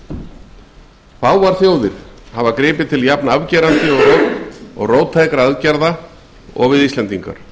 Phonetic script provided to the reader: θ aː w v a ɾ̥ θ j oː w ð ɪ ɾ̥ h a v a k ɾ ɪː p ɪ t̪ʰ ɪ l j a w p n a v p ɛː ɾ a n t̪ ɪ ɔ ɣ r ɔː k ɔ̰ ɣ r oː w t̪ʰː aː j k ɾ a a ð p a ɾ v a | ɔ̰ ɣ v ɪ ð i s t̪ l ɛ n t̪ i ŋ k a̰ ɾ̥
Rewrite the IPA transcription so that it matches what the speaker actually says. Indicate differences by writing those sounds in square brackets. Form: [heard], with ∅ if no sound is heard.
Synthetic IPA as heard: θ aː w v a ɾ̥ θ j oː w ð ɪ ɾ̥ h a v a k ɾ ɪː p ɪ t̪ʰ ɪ l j a [∅] p n a v [c] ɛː ɾ a n t̪ ɪ ɔ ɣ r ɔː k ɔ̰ ɣ r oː w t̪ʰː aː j k ɾ a a ð [c] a ɾ [ð] a | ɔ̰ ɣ v ɪ ð i s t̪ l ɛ n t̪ i ŋ k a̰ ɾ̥